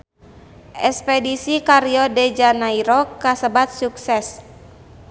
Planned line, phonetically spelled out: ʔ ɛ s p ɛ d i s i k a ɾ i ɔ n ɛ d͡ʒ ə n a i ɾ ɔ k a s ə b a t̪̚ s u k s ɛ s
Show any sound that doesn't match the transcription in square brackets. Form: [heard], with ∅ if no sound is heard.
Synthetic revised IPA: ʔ ɛ s p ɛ d i s i k a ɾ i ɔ [d] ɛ d͡ʒ [a] n a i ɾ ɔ k a s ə b a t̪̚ s u k s ɛ s